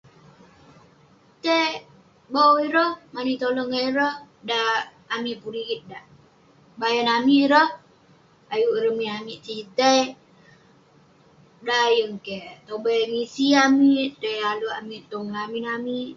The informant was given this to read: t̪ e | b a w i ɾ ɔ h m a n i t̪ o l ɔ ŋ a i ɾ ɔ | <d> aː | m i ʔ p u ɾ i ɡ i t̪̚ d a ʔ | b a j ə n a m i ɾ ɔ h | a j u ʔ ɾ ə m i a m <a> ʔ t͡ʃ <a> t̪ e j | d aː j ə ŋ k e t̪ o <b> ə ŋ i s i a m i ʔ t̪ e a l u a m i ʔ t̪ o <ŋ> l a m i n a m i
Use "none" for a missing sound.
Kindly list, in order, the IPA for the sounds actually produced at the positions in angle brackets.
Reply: d, i, i, b, ŋ

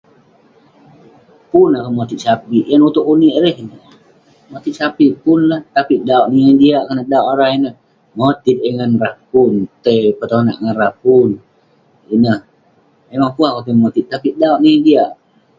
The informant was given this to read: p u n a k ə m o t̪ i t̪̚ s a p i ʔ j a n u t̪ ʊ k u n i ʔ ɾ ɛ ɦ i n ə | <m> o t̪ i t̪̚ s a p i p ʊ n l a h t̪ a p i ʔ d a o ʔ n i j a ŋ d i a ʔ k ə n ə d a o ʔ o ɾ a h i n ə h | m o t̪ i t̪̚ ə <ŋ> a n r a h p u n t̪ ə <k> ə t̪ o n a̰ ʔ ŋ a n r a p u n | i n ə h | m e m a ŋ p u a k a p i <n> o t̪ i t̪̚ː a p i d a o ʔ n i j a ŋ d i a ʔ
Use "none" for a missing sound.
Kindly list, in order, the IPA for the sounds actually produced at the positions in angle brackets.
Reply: m, ŋ, p, m

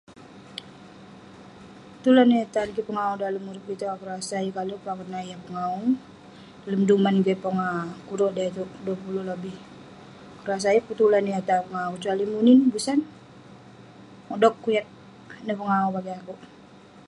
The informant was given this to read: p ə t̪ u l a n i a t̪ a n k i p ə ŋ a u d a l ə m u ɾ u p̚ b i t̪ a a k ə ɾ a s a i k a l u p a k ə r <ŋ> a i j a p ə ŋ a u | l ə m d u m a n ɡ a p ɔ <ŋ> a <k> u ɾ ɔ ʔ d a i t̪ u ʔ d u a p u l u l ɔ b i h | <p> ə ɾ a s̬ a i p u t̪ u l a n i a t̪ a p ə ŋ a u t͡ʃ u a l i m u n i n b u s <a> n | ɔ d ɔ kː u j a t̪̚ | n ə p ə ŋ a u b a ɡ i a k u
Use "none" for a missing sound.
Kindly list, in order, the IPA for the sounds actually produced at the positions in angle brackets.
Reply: n, ŋ, k, k, a

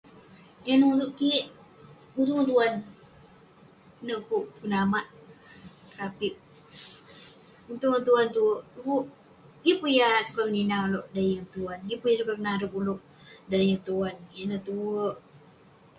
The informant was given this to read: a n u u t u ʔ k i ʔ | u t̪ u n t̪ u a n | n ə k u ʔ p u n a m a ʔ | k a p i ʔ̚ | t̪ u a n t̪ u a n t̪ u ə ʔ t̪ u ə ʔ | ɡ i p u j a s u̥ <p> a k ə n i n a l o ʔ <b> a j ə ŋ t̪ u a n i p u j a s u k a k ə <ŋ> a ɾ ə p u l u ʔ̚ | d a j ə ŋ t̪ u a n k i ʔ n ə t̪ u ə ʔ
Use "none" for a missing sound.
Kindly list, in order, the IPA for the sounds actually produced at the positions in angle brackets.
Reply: k, d, n

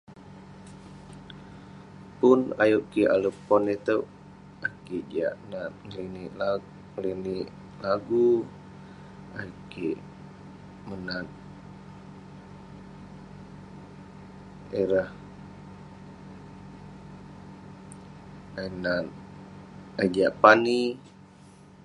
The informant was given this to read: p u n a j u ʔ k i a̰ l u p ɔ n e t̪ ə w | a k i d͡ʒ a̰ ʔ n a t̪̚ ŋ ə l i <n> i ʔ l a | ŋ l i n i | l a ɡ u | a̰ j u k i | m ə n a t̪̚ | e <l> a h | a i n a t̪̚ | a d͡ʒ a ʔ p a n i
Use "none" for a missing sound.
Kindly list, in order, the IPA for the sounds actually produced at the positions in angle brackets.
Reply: n, ɾ

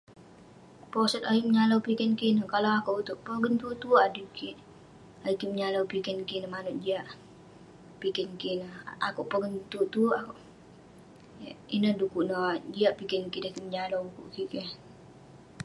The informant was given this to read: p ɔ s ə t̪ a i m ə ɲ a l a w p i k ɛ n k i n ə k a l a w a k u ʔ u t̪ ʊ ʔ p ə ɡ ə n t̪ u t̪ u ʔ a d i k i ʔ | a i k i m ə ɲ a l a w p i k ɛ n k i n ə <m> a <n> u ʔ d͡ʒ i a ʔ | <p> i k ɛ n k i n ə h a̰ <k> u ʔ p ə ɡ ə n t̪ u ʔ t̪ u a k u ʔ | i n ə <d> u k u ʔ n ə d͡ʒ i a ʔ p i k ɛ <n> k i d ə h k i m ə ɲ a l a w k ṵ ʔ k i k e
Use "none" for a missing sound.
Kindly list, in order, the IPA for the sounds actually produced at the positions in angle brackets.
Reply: m, n, p, k, d, n

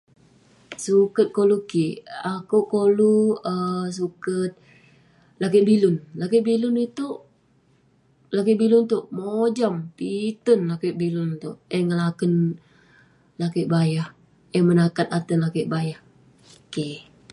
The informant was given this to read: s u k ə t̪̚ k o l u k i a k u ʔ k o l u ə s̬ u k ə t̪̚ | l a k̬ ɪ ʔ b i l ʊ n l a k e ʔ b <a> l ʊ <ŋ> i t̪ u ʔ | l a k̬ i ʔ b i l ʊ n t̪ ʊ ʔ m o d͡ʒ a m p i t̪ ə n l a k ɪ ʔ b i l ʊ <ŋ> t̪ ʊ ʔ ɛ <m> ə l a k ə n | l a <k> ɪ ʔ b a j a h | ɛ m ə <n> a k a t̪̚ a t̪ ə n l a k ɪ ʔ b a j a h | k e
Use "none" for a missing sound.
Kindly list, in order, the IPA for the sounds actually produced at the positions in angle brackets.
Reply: i, n, n, ŋ, k, n

